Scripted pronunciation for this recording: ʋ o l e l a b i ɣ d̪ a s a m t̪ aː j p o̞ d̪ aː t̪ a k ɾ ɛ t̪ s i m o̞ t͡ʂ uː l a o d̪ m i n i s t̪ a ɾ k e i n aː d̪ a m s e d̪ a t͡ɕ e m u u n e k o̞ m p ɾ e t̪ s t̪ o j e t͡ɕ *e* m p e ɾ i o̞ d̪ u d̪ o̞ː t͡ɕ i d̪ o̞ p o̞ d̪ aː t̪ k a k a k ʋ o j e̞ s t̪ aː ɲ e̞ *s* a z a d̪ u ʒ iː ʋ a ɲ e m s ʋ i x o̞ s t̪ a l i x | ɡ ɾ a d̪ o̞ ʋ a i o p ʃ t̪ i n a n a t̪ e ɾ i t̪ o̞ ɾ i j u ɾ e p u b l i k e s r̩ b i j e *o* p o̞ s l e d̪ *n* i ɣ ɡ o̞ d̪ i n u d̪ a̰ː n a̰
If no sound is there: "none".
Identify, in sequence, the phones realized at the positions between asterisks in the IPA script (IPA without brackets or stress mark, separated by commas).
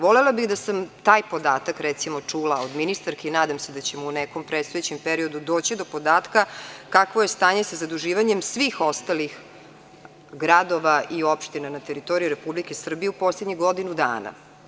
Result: e, s, u, ɲ